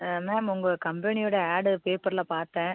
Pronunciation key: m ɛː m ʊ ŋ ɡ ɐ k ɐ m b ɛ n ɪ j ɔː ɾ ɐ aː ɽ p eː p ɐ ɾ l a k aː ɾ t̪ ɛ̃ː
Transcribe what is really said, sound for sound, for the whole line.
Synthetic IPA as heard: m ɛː m ʊ ŋ ɡ ɐ k ɐ m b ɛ n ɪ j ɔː ɽ ɐ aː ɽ p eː p ɐ ɾ l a p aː ɾ t̪ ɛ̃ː